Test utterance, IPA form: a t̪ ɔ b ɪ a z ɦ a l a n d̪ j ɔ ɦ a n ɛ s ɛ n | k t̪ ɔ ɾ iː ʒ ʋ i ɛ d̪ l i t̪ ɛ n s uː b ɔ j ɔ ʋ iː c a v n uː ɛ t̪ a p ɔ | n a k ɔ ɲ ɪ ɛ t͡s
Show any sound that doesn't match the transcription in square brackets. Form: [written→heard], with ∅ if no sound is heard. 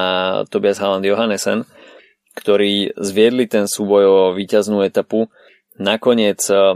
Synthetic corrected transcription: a t̪ ɔ b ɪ a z ɦ a l a n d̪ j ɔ ɦ a n ɛ s ɛ n | k t̪ ɔ ɾ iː [ʒ→z] ʋ [i→ɪ] ɛ d̪ l i t̪ ɛ n s uː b ɔ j ɔ ʋ iː c a [v→z] n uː ɛ t̪ a p [ɔ→u] | n a k ɔ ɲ ɪ ɛ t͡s